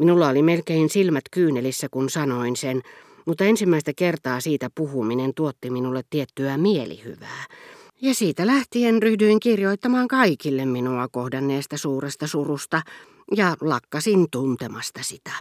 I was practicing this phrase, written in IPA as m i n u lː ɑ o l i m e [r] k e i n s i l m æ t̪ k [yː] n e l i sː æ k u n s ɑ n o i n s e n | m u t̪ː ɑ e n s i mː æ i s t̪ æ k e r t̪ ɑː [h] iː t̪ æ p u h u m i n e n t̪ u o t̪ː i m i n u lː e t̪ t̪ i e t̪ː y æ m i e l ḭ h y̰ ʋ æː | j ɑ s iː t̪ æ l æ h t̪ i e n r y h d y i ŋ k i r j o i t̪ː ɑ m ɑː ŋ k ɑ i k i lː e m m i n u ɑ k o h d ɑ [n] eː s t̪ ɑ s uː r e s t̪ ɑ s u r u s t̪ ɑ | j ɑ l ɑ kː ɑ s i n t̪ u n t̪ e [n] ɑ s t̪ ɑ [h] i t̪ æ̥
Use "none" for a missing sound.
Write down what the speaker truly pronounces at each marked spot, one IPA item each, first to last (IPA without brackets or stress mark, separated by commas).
l, yː, s, nː, m, s